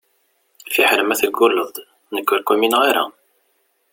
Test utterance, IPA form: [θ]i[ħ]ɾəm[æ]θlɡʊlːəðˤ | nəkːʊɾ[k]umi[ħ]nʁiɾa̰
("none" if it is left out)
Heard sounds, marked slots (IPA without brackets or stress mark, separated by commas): f, ħ, æ, k, none